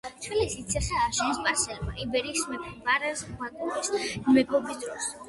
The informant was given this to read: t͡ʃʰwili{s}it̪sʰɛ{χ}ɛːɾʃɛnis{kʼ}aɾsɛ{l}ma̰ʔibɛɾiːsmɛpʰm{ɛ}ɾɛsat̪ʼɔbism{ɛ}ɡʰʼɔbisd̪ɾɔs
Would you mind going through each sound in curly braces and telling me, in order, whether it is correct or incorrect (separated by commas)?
correct, correct, incorrect, correct, incorrect, correct